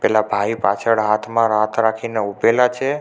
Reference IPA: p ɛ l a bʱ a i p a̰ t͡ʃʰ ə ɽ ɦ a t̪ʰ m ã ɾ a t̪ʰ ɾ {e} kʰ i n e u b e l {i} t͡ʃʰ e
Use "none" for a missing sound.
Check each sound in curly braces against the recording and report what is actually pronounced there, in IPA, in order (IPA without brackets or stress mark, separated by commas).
a, a